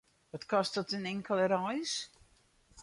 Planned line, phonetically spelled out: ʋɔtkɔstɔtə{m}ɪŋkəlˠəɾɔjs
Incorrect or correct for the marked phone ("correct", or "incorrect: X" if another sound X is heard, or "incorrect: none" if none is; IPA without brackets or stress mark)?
incorrect: n